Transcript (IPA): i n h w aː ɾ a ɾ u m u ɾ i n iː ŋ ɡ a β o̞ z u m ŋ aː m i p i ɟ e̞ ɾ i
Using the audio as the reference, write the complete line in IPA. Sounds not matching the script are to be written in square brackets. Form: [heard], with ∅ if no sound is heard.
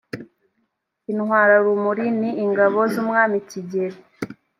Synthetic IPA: i n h w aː ɾ a ɾ u m u ɾ i n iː ŋ ɡ a β o̞ z u m ŋ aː m i [c] i ɟ e̞ ɾ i